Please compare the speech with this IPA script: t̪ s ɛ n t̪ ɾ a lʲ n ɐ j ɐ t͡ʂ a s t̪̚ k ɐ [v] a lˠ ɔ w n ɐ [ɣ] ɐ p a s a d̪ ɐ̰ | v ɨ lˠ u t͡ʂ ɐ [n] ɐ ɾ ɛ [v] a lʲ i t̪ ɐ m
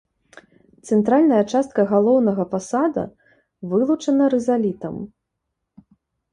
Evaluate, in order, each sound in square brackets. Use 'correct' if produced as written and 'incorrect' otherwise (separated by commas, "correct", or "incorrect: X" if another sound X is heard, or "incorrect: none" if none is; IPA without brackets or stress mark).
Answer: incorrect: ɣ, correct, correct, incorrect: z